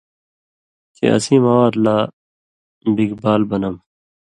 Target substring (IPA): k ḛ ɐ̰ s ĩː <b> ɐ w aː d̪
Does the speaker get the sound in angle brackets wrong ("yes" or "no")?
yes